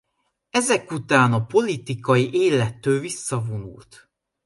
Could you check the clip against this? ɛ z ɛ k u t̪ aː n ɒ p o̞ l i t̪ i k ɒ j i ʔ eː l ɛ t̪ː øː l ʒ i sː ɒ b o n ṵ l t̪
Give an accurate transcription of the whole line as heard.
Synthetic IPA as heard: ɛ z ɛ k u t̪ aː n ɒ p o̞ l i t̪ i k ɒ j i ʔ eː l ɛ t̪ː øː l v i sː ɒ v o n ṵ l t̪